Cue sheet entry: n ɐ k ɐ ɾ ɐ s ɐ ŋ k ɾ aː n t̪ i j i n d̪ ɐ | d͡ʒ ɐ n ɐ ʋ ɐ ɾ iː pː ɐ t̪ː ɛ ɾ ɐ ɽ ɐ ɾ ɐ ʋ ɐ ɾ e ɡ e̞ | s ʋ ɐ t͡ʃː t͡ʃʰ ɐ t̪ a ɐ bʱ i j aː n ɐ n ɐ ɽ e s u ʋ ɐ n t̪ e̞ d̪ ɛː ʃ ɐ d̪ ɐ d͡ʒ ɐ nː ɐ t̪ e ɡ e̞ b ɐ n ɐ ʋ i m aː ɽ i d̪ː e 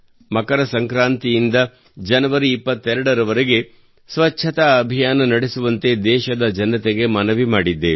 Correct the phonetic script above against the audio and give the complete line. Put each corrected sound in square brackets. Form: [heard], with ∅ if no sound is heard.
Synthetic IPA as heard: [m] ɐ k ɐ ɾ ɐ s ɐ ŋ k ɾ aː n t̪ i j i n d̪ ɐ | d͡ʒ ɐ n ɐ ʋ ɐ ɾ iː pː ɐ t̪ː ɛ ɾ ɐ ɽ ɐ ɾ ɐ ʋ ɐ ɾ e ɡ e̞ | s ʋ ɐ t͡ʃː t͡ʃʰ ɐ t̪ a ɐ bʱ i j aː n ɐ n ɐ ɽ e s u ʋ ɐ n t̪ e̞ d̪ ɛː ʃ ɐ d̪ ɐ d͡ʒ ɐ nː ɐ t̪ e ɡ e̞ [m] ɐ n ɐ ʋ i m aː ɽ i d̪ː e

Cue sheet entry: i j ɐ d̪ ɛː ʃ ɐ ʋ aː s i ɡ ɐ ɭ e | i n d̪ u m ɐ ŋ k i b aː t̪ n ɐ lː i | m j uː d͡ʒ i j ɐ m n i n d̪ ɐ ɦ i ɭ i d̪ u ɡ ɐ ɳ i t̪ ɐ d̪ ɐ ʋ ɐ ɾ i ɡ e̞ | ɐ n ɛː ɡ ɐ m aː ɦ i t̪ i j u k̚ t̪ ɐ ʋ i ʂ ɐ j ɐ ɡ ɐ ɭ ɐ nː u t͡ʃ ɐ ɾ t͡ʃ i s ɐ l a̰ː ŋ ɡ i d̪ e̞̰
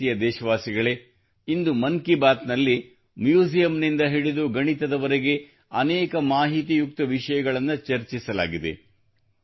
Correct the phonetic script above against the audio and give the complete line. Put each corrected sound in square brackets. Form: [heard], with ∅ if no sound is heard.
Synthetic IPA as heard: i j ɐ d̪ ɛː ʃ ɐ ʋ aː s i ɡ ɐ ɭ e | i n d̪ u m ɐ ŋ k i b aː t̪ n ɐ lː i | m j uː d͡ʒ i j ɐ m n i n d̪ ɐ ɦ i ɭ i d̪ u ɡ ɐ ɳ i t̪ ɐ d̪ ɐ ʋ ɐ ɾ [e] ɡ e̞ | ɐ n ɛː [k] ɐ m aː ɦ i t̪ i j u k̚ t̪ ɐ ʋ i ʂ ɐ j ɐ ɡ ɐ ɭ ɐ nː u t͡ʃ ɐ ɾ t͡ʃ i s ɐ l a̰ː [∅] ɡ i d̪ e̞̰

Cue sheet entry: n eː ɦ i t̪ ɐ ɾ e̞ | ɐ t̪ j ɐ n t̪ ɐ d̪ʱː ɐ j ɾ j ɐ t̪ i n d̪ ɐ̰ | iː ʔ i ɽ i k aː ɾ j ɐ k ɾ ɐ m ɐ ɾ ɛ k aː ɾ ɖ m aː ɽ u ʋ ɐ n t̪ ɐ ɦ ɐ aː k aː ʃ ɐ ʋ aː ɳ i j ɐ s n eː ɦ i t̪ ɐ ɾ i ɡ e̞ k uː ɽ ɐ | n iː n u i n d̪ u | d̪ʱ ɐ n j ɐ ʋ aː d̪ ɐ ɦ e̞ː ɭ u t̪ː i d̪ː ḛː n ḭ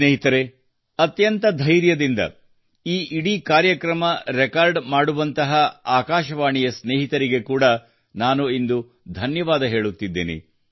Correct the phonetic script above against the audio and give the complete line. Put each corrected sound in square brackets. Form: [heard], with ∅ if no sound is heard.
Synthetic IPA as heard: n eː ɦ i t̪ ɐ ɾ e̞ | ɐ t̪ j ɐ n t̪ ɐ [d̪ʱ] ɐ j ɾ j ɐ [d̪] i n d̪ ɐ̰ | iː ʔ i ɽ i k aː ɾ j ɐ k ɾ ɐ m ɐ ɾ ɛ k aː ɾ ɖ m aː ɽ u ʋ ɐ n t̪ ɐ ɦ ɐ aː k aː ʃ ɐ ʋ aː ɳ i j ɐ s n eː ɦ i t̪ ɐ ɾ i ɡ e̞ k uː ɽ ɐ | n [aː] n u i n d̪ u | d̪ʱ ɐ n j ɐ ʋ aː d̪ ɐ ɦ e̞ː ɭ u t̪ː i d̪ː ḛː n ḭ

